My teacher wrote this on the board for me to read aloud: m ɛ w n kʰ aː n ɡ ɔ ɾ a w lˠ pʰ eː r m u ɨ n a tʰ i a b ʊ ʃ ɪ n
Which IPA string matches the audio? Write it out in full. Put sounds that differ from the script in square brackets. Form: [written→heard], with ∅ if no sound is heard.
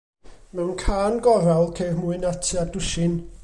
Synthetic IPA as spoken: m ɛ w n kʰ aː n ɡ ɔ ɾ a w lˠ [pʰ→kʰ] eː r m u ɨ n a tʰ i a [b→d] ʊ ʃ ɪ n